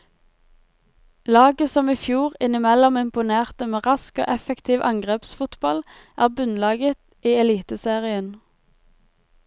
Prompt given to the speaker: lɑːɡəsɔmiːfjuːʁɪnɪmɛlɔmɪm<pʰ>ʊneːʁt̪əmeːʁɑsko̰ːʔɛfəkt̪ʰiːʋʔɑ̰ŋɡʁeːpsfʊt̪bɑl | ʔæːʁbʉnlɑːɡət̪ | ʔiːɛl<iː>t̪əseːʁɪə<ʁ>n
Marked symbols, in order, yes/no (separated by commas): no, yes, no